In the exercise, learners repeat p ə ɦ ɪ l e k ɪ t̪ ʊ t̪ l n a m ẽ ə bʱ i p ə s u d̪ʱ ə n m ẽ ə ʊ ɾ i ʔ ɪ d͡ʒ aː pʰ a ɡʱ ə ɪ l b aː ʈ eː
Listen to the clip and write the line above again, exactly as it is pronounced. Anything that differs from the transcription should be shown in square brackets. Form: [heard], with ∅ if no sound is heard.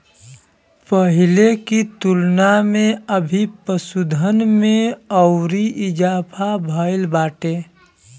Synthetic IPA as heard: p ə ɦ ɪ l e k [i] t̪ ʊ [∅] l n a m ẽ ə bʱ i p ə s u d̪ʱ ə n m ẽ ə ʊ ɾ i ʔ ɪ d͡ʒ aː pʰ a [bʱ] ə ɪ l b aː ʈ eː

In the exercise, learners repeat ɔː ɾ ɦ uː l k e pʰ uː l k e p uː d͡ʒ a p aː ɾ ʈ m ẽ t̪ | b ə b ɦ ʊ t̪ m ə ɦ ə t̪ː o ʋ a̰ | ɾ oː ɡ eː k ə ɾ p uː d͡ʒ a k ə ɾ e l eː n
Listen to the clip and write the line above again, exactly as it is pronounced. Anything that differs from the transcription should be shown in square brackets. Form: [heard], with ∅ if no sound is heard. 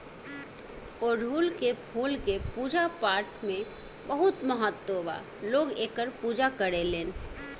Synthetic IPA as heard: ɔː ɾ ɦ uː l k e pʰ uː l k e p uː d͡ʒ a p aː ɾ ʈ m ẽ [∅] | b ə [∅] ɦ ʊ t̪ m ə ɦ ə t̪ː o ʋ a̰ | [l] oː ɡ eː k ə ɾ p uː d͡ʒ a k ə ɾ e l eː n

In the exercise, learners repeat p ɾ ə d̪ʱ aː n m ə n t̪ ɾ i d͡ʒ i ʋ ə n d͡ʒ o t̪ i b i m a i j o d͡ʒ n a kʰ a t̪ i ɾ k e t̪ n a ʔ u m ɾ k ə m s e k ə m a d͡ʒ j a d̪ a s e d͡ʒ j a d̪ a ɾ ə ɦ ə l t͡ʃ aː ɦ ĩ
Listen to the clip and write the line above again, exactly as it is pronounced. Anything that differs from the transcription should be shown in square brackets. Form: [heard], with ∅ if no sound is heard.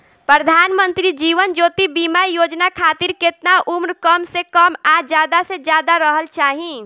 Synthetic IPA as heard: p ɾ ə d̪ʱ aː n m ə n t̪ ɾ i d͡ʒ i ʋ ə n d͡ʒ o t̪ i b i m a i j o d͡ʒ n a kʰ a t̪ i ɾ k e t̪ n a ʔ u m ɾ k ə m s e k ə m a d͡ʒ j a d̪ a s e d͡ʒ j a d̪ a ɾ ə ɦ ə l t͡ʃ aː ɦ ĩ

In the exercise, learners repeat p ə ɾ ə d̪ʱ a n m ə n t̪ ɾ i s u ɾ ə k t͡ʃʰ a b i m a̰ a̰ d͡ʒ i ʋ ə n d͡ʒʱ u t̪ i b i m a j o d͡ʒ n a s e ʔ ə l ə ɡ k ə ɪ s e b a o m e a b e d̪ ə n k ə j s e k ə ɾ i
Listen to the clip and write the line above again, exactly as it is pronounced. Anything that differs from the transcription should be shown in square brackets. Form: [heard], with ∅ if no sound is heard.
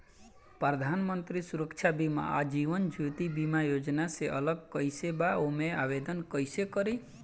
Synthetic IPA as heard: p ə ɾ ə d̪ʱ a n m ə n t̪ ɾ i s u ɾ ə k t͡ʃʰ a b i m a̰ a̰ d͡ʒ i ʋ ə n d͡ʒʱ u t̪ i b i m a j o d͡ʒ n a s e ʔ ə l ə ɡ k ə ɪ s e b a o m e a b e d̪ ə n k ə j s e k ə ɾ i

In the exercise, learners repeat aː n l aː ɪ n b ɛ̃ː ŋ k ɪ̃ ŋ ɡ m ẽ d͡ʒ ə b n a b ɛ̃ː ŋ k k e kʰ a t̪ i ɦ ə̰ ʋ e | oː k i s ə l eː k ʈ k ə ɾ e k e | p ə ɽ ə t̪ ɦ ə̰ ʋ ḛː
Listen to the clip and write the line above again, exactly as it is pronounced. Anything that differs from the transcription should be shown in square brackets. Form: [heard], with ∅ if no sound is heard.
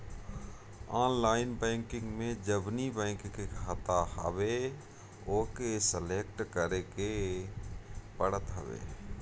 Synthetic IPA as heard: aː n l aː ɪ n b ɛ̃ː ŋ k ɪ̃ ŋ ɡ m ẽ d͡ʒ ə b n [i] b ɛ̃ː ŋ k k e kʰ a t̪ [a] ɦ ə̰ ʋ e | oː k [e] s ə l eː k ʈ k ə ɾ e k e | p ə ɽ ə t̪ ɦ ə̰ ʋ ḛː

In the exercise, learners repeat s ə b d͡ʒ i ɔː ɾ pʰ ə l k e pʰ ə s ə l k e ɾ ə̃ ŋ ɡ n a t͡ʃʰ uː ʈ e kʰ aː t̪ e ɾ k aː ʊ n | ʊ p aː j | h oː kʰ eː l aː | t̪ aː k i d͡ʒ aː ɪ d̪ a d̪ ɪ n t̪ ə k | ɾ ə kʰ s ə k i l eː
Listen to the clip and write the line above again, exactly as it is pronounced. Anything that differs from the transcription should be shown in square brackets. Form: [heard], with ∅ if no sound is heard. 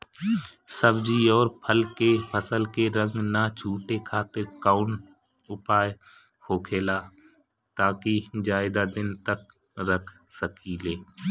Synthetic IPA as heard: s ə b d͡ʒ i ɔː ɾ pʰ ə l k e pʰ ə s ə l k e ɾ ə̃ ŋ ɡ n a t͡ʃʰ uː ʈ e kʰ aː t̪ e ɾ k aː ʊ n | ʊ p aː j | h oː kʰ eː l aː | t̪ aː k i d͡ʒ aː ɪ d̪ a d̪ ɪ n t̪ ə k | ɾ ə kʰ s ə k i l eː

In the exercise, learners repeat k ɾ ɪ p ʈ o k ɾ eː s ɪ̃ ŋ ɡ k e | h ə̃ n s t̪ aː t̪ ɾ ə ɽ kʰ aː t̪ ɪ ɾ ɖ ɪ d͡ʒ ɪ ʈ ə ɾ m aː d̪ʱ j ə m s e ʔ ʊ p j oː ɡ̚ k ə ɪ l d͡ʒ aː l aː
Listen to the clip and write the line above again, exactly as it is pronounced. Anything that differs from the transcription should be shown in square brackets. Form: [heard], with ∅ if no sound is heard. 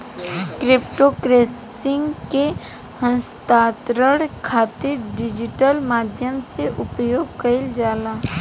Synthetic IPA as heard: k ɾ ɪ p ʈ o k ɾ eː s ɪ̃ ŋ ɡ k e | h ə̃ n s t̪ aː t̪ ɾ ə ɽ kʰ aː t̪ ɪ ɾ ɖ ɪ d͡ʒ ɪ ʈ ə [l] m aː d̪ʱ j ə m s e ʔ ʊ p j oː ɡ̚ k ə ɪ l d͡ʒ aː l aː

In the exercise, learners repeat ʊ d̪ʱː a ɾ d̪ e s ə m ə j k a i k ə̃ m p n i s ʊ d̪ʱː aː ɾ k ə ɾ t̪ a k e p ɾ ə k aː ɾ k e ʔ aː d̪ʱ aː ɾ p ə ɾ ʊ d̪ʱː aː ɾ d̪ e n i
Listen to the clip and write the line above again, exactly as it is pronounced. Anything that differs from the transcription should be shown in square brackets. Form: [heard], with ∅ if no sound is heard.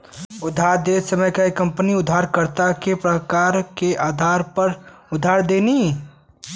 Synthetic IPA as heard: ʊ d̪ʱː a ɾ d̪ e s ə m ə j k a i k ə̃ m p n i [∅] ʊ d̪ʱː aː ɾ k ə ɾ t̪ a k e p ɾ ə k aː ɾ k e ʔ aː d̪ʱ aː ɾ p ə ɾ ʊ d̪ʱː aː ɾ d̪ e n i

